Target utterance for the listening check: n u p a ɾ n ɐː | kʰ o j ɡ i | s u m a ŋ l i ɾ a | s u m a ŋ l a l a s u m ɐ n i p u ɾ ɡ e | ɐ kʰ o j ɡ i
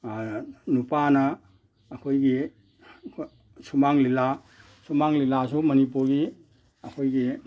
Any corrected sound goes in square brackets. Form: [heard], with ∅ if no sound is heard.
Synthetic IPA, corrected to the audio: n u p a [∅] n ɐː | kʰ o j ɡ i | s u m a ŋ l i [l] a | s u m a ŋ l [i] l a s u m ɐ n i p u ɾ ɡ [i] | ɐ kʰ o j ɡ i

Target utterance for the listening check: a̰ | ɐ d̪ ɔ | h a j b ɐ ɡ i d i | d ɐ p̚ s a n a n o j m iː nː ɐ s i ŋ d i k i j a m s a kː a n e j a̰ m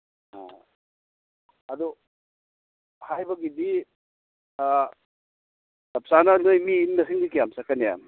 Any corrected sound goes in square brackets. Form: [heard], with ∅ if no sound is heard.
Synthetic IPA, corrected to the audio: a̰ | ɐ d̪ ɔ | h a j b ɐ ɡ i d i | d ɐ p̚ s a n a n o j m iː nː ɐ s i ŋ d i k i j a m s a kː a n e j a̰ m

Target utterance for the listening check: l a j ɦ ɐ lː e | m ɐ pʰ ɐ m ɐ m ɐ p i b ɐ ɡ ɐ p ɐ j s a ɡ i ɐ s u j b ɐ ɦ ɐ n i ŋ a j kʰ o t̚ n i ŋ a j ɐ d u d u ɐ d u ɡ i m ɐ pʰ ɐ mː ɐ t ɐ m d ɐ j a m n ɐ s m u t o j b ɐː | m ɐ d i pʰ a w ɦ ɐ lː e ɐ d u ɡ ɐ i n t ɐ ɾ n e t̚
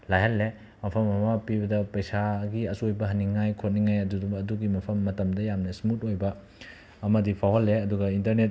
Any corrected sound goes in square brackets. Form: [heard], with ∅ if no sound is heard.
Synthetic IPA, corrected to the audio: l a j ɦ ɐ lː e | m ɐ pʰ ɐ m ɐ m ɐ p i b ɐ [d] ɐ p ɐ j s a ɡ i ɐ s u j b ɐ ɦ ɐ n i ŋ a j kʰ o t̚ n i ŋ a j ɐ d u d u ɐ d u ɡ i m ɐ pʰ ɐ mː ɐ t ɐ m d ɐ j a m n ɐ s m u t o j b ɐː | m ɐ d i pʰ a w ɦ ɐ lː e ɐ d u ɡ ɐ i n t ɐ ɾ n e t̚

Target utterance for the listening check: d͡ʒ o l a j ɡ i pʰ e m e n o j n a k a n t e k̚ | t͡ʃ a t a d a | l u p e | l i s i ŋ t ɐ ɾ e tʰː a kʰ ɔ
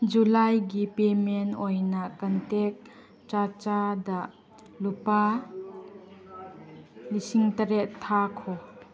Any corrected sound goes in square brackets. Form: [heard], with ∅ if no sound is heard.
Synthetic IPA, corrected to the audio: d͡ʒ [u] l a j ɡ i [p] e m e n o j n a k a n t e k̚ | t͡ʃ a [t͡ʃ] a d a | l u p [a] | l i s i ŋ t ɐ ɾ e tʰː a kʰ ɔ

